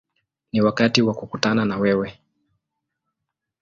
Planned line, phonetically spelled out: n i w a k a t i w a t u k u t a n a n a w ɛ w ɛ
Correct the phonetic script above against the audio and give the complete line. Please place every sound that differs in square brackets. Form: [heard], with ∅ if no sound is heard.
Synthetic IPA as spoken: n i w a k a t i w a [k] u k u t a n a n a w ɛ w ɛ